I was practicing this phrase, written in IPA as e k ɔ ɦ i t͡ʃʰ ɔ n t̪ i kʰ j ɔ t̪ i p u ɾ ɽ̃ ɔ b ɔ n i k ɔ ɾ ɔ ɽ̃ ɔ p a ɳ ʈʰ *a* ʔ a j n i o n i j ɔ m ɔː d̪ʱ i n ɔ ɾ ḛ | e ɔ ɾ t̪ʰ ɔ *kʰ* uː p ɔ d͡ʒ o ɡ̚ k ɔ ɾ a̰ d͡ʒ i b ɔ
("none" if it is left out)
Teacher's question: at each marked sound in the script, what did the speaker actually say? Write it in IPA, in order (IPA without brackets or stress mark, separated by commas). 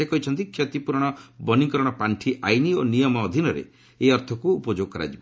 i, k